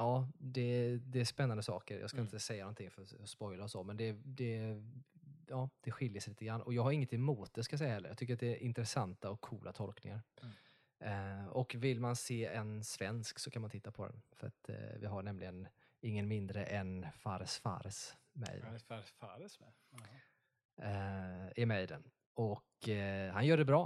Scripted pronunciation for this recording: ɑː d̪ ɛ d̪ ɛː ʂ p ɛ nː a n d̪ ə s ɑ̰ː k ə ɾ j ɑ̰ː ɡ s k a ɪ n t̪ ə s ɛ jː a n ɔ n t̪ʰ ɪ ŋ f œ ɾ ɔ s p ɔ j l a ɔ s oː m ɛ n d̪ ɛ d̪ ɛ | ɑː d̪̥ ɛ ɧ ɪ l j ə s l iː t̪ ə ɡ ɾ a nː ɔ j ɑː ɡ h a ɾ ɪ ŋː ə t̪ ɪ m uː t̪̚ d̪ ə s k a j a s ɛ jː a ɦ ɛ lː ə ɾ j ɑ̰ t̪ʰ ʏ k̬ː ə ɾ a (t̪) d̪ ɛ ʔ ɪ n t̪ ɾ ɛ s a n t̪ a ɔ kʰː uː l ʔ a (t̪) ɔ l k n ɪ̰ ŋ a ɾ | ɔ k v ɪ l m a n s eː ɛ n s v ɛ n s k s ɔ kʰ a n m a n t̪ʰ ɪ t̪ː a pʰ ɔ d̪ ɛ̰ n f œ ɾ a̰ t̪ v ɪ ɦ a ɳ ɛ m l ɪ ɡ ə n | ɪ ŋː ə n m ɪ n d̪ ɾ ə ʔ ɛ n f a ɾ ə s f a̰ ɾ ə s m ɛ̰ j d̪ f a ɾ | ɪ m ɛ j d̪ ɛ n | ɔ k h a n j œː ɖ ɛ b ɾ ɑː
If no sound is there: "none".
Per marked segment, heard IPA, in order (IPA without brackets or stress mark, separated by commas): t̪, t̪ʰ